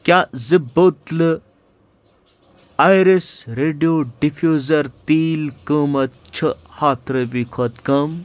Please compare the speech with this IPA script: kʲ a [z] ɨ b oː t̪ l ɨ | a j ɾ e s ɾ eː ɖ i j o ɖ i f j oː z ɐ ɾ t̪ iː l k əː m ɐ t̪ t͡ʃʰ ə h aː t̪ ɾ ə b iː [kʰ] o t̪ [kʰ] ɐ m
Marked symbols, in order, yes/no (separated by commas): yes, yes, no